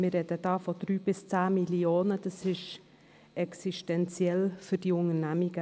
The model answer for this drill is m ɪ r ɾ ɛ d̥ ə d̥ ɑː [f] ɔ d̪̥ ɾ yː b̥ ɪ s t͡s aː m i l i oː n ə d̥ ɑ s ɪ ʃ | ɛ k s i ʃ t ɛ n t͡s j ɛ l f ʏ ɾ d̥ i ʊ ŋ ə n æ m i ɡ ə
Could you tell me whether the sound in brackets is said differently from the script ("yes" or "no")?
no